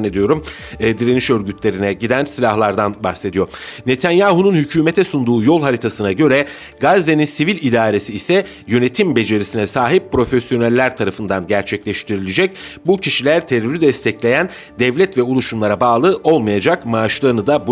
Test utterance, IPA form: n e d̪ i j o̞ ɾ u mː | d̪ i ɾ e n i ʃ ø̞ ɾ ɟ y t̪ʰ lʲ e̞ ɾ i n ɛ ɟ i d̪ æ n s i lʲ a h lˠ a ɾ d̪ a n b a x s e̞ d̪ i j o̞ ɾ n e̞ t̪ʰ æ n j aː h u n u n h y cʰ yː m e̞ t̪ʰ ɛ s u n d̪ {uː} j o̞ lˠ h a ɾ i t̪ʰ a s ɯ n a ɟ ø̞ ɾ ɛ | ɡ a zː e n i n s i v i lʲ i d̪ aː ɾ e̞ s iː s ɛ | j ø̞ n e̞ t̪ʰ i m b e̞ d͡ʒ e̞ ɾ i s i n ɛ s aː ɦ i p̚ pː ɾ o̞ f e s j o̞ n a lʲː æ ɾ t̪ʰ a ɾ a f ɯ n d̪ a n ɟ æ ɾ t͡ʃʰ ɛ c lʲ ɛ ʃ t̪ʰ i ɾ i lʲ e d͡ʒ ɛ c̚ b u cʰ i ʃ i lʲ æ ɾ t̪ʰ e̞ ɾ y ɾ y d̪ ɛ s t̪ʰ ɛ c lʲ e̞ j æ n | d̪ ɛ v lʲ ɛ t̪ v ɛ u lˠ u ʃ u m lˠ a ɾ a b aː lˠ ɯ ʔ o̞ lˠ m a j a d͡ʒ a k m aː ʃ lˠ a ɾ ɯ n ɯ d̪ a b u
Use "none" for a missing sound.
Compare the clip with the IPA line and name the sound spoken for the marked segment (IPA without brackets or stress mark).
uː